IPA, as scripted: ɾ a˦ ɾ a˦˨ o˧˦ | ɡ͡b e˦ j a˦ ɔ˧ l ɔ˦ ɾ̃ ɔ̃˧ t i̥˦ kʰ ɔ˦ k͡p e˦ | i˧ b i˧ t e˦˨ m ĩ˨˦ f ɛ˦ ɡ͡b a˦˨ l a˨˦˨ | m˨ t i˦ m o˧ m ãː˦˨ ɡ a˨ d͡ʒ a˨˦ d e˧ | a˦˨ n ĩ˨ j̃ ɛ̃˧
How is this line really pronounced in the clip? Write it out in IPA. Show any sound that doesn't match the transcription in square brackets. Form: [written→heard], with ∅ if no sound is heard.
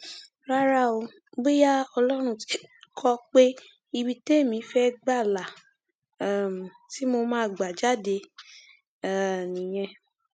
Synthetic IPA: ɾ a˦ ɾ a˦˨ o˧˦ | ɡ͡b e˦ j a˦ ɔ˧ l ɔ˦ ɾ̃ [ɔ̃˧→ũ˧] t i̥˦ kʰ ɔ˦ k͡p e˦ | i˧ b i˧ t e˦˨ m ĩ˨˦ f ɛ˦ ɡ͡b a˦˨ l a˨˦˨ | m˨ t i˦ m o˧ m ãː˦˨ [ɡ→ɡ͡b] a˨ d͡ʒ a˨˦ d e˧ | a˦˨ n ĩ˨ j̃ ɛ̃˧